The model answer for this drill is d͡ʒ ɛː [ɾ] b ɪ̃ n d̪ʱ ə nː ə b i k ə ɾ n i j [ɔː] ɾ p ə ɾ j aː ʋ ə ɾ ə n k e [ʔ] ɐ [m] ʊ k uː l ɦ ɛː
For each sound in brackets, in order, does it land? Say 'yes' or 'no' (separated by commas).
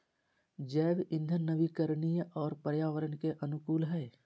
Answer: no, yes, yes, no